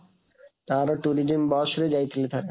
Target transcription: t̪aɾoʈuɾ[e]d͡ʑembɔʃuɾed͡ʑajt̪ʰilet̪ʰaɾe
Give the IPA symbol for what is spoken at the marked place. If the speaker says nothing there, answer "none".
i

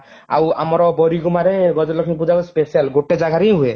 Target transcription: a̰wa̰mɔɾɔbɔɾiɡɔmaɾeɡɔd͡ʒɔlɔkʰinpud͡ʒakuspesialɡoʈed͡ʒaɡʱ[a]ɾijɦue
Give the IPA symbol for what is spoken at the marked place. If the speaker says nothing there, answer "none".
a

